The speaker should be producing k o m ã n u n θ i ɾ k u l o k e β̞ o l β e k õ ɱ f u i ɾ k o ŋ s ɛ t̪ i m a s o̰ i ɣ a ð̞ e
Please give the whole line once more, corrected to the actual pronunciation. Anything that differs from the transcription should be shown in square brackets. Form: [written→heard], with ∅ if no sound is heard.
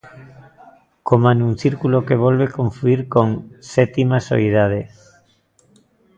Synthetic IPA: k o m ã n u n θ i ɾ k u l o k e β̞ o l β e k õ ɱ f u i ɾ k o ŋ s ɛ t̪ i m a s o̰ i [ɣ→ð] a ð̞ e